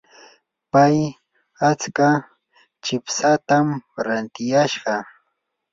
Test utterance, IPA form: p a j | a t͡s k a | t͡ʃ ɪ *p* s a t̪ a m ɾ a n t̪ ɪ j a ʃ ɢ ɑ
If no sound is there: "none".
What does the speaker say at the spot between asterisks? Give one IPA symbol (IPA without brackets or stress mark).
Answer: p